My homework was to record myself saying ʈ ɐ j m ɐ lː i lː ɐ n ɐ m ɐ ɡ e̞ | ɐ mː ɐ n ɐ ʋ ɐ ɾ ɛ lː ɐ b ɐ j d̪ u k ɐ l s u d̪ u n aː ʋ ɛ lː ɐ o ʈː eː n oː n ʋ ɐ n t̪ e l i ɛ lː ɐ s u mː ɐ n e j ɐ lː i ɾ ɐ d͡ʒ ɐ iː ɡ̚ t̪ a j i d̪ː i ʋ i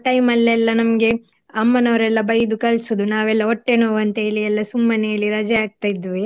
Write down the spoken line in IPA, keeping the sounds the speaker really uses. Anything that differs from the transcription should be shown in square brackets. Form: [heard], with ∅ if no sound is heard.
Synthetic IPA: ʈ ɐ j m ɐ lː [ɛ] lː ɐ n ɐ m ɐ ɡ e̞ | ɐ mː ɐ n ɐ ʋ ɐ ɾ ɛ lː ɐ b ɐ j d̪ u k ɐ l s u d̪ u n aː ʋ ɛ lː ɐ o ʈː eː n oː [∅] ʋ ɐ n t̪ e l i ɛ lː ɐ s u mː ɐ n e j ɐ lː i ɾ ɐ d͡ʒ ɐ [aː] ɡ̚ t̪ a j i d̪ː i ʋ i